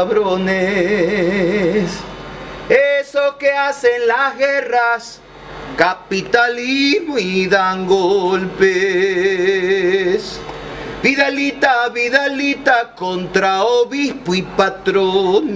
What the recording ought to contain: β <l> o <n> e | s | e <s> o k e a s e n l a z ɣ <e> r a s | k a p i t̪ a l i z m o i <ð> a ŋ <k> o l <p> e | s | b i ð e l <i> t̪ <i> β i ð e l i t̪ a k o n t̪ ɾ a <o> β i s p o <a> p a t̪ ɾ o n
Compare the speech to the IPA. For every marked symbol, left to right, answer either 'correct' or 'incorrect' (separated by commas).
incorrect, correct, correct, correct, correct, incorrect, correct, correct, incorrect, correct, incorrect